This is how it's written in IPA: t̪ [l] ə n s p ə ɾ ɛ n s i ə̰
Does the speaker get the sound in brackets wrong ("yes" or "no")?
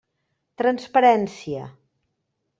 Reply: yes